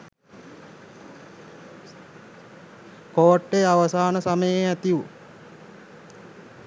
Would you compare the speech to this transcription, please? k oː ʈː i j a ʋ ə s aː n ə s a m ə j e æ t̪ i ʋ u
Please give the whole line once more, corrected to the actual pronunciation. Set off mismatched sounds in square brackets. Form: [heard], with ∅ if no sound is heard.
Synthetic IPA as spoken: k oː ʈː [e] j a ʋ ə s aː n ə s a m ə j e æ t̪ i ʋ u